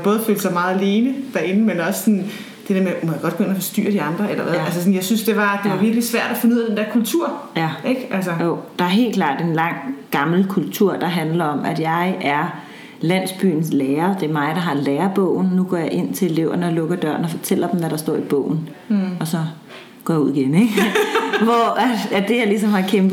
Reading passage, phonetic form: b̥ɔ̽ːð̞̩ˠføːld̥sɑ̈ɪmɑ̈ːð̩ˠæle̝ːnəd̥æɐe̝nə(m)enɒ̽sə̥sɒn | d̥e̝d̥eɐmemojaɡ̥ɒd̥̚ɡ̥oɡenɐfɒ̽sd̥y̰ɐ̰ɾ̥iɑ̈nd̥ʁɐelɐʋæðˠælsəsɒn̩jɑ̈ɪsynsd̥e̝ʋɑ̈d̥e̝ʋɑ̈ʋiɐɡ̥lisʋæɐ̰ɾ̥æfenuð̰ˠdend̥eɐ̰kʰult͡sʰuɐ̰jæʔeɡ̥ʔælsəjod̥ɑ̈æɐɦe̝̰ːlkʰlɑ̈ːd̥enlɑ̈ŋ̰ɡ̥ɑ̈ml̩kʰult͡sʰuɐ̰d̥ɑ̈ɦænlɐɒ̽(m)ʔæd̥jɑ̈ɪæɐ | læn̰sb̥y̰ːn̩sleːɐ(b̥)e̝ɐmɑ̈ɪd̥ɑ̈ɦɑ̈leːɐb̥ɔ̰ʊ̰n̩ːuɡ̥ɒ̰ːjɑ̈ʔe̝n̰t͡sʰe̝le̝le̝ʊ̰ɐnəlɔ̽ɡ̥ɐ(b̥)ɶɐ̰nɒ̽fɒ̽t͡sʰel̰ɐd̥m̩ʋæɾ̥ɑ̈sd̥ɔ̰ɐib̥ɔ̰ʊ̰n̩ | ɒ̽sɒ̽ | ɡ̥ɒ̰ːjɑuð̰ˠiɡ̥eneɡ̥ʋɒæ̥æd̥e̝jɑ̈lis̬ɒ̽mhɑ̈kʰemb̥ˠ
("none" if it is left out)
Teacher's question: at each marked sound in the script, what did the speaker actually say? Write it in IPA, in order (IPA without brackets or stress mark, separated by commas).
m, m, d̥, d̥